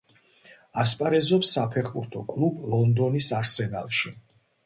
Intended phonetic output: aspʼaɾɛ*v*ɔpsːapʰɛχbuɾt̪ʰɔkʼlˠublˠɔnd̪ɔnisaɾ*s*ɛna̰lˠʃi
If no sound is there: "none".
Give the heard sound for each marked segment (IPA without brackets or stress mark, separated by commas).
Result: z, s